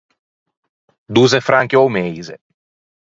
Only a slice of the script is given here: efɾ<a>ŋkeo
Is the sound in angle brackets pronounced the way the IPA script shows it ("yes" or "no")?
yes